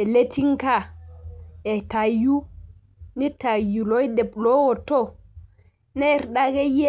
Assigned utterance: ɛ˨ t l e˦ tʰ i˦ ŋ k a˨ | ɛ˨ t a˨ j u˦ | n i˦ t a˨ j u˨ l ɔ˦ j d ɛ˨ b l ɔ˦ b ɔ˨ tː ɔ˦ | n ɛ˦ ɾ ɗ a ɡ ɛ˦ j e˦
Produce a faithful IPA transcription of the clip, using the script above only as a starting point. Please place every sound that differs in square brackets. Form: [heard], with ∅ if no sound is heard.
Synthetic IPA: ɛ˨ [∅] l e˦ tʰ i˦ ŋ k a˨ | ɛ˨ t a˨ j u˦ | n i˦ t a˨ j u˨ l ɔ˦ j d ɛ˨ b l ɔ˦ [w] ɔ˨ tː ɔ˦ | n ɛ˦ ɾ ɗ a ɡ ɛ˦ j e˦